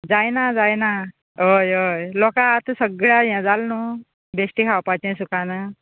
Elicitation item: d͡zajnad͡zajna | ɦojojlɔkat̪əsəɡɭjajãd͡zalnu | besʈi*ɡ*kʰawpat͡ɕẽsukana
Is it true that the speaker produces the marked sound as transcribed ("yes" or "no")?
no